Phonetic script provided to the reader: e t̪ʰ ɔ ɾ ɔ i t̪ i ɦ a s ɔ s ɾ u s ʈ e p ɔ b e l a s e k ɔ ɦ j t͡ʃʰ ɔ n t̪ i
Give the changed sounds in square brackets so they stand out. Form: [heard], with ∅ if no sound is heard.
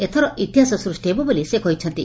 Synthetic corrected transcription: e t̪ʰ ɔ ɾ ɔ i t̪ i ɦ a s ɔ s ɾ u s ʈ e [b] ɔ b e l [i] s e k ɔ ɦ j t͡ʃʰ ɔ n t̪ i